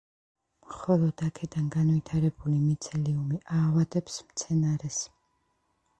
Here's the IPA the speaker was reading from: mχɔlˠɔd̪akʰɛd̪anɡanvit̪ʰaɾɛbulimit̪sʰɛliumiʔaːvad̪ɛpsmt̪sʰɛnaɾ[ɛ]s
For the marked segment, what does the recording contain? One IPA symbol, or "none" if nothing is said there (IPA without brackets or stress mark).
ɛ